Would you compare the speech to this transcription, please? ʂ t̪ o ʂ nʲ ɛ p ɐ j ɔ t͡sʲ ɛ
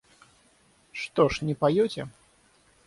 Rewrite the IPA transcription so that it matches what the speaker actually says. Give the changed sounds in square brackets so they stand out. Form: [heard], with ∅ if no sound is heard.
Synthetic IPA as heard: ʂ t̪ [ɔ] ʂ nʲ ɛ p [a] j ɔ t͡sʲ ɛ